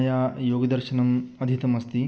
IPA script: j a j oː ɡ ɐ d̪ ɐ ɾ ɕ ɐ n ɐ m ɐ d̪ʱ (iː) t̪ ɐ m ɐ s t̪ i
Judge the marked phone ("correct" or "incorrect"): incorrect